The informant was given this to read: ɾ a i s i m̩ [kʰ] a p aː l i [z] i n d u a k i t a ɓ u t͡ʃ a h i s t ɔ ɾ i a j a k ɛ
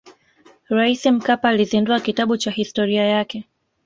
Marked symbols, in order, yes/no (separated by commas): no, yes